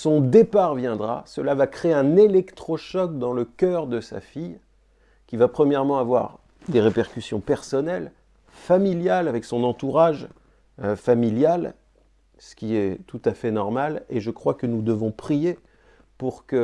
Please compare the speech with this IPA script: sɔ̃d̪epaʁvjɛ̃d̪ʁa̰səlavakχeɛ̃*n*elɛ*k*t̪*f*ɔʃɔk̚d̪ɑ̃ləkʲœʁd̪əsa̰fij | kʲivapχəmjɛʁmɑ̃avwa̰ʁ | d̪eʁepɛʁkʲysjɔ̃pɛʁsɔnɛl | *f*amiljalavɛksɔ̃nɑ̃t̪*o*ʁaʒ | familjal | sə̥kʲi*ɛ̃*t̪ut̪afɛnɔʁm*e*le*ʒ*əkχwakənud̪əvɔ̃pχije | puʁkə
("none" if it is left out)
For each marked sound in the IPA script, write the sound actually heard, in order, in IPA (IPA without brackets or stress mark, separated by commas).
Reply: n, k, χ, f, u, ɛ, a, ʒ